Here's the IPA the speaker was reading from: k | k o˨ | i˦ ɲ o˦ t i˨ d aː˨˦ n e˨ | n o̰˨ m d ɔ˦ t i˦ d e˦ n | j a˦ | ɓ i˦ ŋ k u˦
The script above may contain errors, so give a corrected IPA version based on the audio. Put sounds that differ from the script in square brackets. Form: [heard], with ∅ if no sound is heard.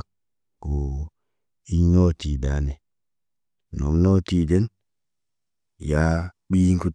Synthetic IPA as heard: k | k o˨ | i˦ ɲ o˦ t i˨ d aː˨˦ n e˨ | n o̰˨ m [n] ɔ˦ t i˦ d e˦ n | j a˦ | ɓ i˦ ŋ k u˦